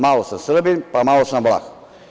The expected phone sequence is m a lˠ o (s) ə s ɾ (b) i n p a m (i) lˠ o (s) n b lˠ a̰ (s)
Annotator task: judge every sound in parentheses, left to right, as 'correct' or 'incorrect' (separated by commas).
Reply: correct, correct, incorrect, correct, incorrect